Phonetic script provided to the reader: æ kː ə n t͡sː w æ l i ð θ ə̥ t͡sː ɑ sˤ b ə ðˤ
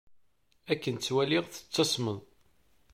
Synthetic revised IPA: æ kː ə n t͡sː w æ l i ʁ θ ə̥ t͡sː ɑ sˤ m ə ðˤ